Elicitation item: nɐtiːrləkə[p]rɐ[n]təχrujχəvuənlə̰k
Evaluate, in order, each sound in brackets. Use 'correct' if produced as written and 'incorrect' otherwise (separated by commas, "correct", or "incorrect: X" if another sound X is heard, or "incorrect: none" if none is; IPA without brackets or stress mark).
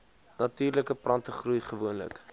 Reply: correct, correct